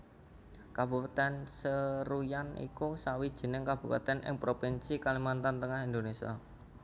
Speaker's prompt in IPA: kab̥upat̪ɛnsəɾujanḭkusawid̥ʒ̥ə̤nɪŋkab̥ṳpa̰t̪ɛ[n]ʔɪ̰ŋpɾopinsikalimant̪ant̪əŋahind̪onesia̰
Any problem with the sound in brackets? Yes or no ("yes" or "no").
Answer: no